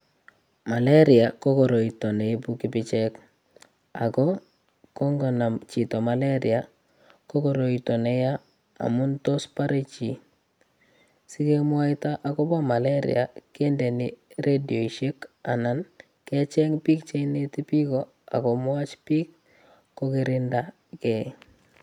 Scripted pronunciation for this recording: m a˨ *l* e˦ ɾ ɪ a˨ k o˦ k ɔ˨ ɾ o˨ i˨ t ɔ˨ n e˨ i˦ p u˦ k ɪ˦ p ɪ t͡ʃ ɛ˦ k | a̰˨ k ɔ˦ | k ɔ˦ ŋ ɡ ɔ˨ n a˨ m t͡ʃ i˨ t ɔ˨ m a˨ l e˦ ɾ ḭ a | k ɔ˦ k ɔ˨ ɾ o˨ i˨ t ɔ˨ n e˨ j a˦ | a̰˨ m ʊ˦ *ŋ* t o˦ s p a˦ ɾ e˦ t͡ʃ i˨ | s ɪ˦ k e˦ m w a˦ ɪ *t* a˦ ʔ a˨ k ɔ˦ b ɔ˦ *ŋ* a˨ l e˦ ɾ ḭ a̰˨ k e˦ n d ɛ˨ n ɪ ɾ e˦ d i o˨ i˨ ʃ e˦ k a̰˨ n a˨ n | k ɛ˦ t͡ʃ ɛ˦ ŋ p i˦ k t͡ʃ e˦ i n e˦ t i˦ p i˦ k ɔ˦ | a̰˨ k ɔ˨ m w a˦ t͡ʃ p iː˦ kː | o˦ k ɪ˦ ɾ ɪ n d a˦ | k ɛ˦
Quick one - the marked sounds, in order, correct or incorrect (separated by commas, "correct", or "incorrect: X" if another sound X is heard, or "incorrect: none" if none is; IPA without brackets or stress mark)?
correct, incorrect: n, correct, incorrect: m